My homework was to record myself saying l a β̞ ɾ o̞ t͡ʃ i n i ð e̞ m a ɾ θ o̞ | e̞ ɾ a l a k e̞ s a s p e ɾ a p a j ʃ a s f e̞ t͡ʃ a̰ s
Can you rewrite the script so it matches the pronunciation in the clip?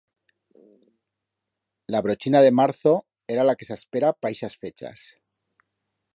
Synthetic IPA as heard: l a β̞ ɾ o̞ t͡ʃ i n a ð e̞ m a ɾ θ o̞ | e̞ ɾ a l a k e̞ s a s p e ɾ a p a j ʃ a s f e̞ t͡ʃ a̰ s